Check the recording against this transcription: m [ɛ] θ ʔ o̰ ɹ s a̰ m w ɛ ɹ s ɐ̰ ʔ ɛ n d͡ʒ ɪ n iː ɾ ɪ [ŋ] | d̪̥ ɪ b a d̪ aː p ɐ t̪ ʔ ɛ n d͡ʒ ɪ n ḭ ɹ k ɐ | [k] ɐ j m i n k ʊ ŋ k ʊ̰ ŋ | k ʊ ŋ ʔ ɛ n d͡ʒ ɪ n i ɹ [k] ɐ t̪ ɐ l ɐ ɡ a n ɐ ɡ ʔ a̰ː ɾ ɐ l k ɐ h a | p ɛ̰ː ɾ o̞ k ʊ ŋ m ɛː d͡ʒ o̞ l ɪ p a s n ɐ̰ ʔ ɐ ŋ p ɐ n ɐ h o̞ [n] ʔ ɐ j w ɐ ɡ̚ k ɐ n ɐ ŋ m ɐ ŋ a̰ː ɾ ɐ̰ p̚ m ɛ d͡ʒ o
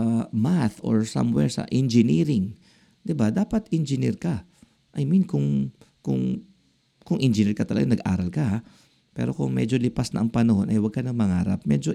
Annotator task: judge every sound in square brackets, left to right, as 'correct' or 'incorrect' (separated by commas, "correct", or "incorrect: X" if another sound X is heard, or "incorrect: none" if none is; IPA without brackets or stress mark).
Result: incorrect: a, correct, incorrect: ʔ, correct, correct